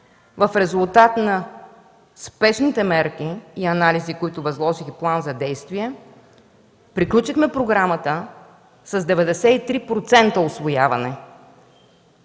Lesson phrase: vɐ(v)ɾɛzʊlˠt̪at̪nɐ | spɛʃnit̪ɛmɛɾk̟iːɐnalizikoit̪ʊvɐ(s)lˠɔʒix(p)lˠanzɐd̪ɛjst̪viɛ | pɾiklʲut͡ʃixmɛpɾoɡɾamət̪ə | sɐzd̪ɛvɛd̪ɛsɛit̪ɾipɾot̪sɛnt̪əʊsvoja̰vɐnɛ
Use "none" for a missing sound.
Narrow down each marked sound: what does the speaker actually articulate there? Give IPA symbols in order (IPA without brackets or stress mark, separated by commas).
f, z, p